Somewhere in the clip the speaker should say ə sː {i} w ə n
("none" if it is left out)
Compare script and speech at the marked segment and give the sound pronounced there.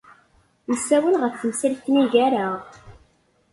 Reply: æ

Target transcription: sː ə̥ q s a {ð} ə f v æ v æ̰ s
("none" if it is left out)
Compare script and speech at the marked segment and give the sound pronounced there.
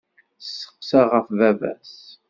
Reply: ʁ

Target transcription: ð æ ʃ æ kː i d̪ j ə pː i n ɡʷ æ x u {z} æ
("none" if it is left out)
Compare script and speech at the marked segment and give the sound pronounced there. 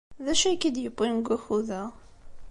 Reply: ð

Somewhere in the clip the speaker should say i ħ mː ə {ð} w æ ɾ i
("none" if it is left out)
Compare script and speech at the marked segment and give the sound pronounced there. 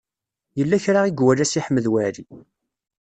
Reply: ð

